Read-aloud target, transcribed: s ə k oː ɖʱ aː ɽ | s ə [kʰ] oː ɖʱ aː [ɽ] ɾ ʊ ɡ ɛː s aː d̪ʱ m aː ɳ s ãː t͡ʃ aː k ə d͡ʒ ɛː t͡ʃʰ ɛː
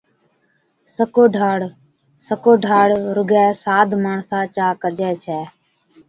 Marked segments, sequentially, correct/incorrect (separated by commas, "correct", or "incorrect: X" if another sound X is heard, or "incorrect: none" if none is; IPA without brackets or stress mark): incorrect: k, correct